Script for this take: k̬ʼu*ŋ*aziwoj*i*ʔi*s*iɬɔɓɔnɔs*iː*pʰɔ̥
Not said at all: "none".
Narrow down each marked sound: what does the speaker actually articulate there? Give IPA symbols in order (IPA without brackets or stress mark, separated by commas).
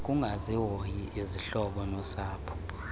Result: ŋ, i, z, aː